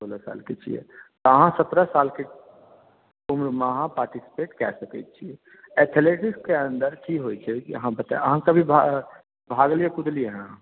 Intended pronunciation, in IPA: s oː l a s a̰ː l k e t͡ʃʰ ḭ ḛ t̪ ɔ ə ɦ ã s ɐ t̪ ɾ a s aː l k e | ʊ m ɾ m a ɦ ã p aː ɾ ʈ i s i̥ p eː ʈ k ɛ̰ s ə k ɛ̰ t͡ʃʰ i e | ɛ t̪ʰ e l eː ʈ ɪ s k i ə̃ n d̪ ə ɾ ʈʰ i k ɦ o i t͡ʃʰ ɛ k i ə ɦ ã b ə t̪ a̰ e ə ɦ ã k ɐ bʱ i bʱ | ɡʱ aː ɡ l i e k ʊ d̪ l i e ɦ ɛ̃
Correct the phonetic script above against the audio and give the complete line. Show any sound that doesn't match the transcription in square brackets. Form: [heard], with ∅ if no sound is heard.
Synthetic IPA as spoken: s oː l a s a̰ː l k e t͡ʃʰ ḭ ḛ t̪ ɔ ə ɦ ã s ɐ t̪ ɾ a s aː l k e | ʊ m ɾ m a ɦ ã p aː ɾ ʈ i s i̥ p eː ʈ k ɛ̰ s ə k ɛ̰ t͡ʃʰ i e | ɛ t̪ʰ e l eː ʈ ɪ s k [e] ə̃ n d̪ ə ɾ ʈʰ i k ɦ o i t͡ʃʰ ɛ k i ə ɦ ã b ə t̪ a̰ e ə ɦ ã k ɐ bʱ i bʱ | [bʱ] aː ɡ l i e k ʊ d̪ l i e ɦ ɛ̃

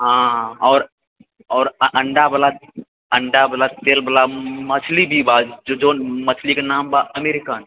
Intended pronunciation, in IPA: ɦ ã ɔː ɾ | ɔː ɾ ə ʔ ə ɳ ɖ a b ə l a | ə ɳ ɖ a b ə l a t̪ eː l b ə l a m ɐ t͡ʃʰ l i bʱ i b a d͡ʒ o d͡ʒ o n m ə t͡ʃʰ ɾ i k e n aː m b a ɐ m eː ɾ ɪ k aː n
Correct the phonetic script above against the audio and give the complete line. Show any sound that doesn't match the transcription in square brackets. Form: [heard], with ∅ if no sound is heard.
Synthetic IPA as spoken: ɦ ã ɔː ɾ | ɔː ɾ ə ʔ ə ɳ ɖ a b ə l a | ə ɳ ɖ a b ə l a t̪ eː l b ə l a m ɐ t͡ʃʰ l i bʱ i b a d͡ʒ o d͡ʒ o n m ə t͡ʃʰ [l] i k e n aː m b a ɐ m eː ɾ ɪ k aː n

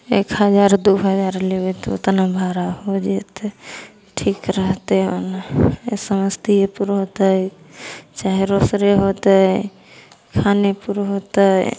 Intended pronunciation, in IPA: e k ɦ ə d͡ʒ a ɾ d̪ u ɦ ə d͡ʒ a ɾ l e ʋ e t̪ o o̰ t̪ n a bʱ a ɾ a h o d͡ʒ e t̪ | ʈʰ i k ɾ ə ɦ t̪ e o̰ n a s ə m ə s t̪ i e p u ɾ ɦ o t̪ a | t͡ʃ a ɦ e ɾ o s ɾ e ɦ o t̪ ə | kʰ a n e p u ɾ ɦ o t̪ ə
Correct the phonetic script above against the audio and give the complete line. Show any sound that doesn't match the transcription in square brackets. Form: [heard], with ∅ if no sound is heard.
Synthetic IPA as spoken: e k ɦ ə d͡ʒ a ɾ d̪ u ɦ ə d͡ʒ a ɾ l e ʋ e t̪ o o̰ t̪ n a bʱ a ɾ a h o d͡ʒ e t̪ | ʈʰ i k ɾ ə ɦ t̪ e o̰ n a s ə m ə s t̪ i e p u ɾ ɦ o t̪ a | t͡ʃ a ɦ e ɾ o s ɾ e ɦ o t̪ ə | kʰ a n e p u ɾ ɦ o t̪ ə

